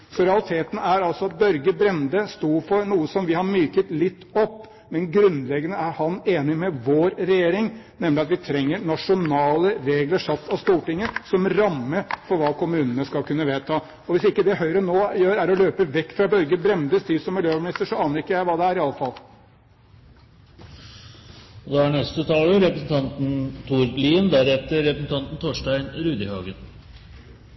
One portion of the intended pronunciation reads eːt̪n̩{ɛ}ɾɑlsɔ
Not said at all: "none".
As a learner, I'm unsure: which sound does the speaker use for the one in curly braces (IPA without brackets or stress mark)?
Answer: æ